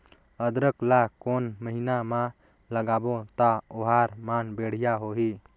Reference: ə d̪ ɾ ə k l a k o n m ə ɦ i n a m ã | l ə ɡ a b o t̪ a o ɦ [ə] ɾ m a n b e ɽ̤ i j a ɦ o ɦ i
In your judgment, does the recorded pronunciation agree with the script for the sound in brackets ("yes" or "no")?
no